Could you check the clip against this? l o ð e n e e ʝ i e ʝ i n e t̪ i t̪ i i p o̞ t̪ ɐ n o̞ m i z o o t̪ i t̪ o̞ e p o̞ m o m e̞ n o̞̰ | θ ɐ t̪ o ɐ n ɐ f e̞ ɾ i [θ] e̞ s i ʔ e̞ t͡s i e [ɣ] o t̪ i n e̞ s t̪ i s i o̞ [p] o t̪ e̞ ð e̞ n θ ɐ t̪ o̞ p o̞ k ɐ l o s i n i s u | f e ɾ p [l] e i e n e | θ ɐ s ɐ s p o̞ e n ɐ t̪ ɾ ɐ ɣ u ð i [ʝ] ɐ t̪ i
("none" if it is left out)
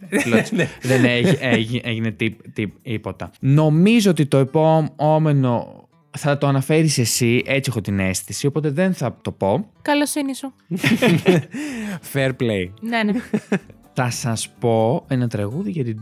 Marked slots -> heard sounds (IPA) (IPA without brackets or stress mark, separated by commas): s, x, p, l, ʝ